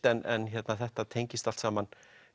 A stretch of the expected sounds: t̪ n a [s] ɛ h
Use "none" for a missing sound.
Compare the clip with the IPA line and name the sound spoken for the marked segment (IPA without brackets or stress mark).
θ